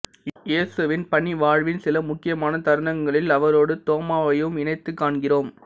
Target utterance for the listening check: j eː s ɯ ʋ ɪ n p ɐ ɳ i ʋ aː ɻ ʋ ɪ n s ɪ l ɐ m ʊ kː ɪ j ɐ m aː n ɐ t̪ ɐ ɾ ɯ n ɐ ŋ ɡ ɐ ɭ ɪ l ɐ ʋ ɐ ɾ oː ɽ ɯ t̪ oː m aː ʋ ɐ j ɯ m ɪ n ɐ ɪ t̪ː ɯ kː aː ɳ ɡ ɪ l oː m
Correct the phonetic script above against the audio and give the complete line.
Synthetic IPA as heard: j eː s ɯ ʋ ɪ n p ɐ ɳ i ʋ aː ɻ ʋ ɪ n s ɪ l ɐ m ʊ kː ɪ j ɐ m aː n ɐ t̪ ɐ ɾ ɯ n ɐ ŋ ɡ ɐ ɭ ɪ l ɐ ʋ ɐ ɾ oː ɽ ɯ t̪ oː m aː ʋ ɐ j ɯ m ɪ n ɐ ɪ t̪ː ɯ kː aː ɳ ɡ ɪ r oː m

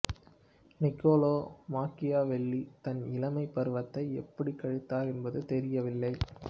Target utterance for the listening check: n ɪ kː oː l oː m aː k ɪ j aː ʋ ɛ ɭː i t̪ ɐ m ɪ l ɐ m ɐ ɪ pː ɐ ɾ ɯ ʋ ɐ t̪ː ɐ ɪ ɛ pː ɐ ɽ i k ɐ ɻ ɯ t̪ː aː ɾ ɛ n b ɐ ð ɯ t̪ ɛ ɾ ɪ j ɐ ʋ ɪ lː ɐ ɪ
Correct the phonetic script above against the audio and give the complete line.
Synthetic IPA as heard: n ɪ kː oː l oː m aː k ɪ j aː ʋ ɛ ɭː i t̪ ɐ n ɪ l ɐ m ɐ ɪ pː ɐ ɾ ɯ ʋ ɐ t̪ː ɐ ɪ ɛ pː ɐ ɽ i k ɐ ɻ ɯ t̪ː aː ɾ ɛ n b ɐ ð ɯ t̪ ɛ ɾ ɪ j ɐ ʋ ɪ lː ɐ ɪ

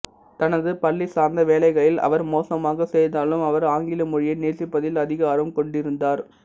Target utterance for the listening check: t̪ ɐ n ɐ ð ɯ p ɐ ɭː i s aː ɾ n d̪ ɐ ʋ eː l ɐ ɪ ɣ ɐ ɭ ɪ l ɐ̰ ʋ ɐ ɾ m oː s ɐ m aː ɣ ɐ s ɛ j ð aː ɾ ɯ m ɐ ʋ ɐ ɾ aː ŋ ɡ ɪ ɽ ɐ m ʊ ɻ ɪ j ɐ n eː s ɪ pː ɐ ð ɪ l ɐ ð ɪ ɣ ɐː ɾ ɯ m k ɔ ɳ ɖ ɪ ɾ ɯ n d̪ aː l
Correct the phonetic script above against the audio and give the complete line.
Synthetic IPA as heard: t̪ ɐ n ɐ ð ɯ p ɐ ɭː i s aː ɾ n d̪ ɐ ʋ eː l ɐ ɪ ɣ ɐ ɭ ɪ l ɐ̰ ʋ ɐ ɾ m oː s ɐ m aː ɣ ɐ s ɛ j ð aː l ɯ m ɐ ʋ ɐ ɾ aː ŋ ɡ ɪ l ɐ m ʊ ɻ ɪ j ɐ n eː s ɪ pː ɐ ð ɪ l ɐ ð ɪ ɣ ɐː ɾ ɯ m k ɔ ɳ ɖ ɪ ɾ ɯ n d̪ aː ɾ

